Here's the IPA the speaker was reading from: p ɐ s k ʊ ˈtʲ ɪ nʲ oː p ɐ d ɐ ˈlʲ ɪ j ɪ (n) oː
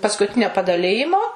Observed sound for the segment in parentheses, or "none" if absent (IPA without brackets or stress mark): m